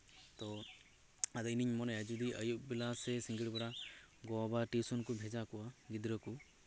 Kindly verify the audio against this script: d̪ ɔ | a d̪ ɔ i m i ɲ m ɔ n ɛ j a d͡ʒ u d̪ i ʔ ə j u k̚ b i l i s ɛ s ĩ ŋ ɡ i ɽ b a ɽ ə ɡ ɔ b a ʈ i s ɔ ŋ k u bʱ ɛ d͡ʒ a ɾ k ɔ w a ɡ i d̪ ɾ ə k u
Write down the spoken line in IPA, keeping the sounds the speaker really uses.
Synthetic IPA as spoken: t̪ ɔ | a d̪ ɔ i n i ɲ m ɔ n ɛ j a d͡ʒ u d̪ i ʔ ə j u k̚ b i l a s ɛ s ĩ ŋ ɡ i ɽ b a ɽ a ɡ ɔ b a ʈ i s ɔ n k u bʱ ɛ d͡ʒ a k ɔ w a ɡ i d̪ ɾ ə k u